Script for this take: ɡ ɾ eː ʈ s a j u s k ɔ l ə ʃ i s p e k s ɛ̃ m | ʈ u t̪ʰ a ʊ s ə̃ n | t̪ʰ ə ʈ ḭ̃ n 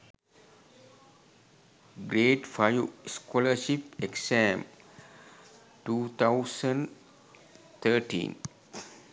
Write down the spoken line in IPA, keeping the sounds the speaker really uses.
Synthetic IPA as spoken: ɡ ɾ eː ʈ f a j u s k ɔ l ə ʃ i p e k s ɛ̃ m | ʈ u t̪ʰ a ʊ s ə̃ n | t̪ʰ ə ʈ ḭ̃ n